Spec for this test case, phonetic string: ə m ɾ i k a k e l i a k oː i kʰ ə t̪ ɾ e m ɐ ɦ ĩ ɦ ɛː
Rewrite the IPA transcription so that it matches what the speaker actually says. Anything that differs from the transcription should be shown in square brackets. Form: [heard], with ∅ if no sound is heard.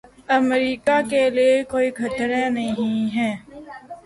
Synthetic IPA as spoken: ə m ɾ [iː] k a k e l i [e] k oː i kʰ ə t̪ ɾ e [n] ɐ ɦ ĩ ɦ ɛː